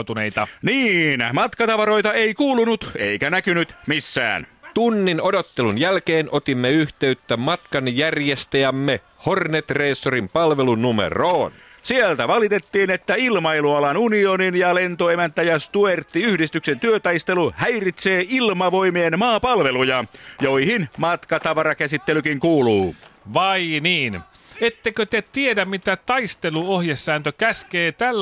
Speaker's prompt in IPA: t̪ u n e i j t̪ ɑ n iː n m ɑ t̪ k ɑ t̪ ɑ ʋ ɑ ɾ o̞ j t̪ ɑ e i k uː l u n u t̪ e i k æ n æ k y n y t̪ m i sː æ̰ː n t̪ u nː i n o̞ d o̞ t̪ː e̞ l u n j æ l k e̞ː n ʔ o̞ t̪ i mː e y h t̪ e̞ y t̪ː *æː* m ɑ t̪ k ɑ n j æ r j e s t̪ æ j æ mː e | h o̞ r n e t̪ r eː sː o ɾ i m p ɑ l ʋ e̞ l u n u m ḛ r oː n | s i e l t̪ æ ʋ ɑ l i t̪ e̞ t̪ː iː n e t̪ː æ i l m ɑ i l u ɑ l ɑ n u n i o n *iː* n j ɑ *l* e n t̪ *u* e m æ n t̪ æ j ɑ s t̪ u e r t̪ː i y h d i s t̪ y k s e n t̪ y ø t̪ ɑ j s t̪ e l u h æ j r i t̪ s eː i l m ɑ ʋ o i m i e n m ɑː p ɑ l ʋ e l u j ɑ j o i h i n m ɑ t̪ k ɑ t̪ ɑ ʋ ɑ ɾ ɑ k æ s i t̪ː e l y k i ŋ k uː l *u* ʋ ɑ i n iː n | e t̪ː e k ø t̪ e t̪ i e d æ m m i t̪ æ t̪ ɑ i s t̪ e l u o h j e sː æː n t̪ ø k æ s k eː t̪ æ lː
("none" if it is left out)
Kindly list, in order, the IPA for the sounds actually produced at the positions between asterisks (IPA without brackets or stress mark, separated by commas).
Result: æ, i, l, o, uː